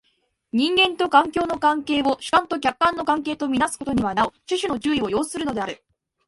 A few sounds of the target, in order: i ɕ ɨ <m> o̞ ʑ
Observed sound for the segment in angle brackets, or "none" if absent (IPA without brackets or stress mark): n